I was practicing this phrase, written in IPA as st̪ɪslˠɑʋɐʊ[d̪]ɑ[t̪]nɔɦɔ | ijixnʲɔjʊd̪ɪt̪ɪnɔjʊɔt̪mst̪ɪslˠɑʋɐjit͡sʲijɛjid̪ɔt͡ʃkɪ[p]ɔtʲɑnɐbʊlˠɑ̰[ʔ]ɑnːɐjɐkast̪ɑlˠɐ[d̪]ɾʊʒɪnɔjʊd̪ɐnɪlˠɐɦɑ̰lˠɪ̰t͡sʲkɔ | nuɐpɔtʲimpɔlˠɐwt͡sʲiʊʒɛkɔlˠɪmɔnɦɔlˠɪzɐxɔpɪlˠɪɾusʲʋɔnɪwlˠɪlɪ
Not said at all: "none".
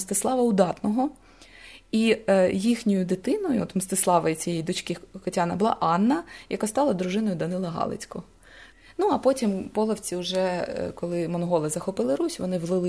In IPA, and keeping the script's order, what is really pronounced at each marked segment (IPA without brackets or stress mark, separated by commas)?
d̪, t̪, k, ʔ, d̪